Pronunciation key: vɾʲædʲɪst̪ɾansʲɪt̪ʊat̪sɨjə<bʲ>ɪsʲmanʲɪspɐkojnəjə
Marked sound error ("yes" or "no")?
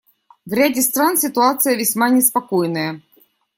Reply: yes